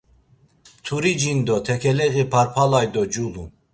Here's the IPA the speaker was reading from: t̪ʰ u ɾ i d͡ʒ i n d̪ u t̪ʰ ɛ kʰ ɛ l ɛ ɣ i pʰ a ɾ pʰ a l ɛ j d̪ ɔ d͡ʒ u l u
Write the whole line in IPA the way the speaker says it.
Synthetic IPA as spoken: t̪ʰ u ɾ i d͡ʒ i n d̪ ɔ t̪ʰ ɛ kʰ ɛ l ɛ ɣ i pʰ a ɾ pʰ a l a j d̪ ɔ d͡ʒ u l u